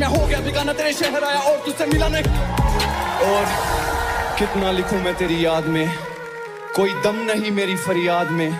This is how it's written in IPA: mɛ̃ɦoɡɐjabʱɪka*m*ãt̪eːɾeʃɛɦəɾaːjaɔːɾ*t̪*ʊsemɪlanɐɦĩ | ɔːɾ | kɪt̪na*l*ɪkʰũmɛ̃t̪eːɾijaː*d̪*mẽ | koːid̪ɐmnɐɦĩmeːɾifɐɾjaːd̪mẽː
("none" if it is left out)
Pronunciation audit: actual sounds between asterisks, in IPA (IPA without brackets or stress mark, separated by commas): n, t̪, l, d̪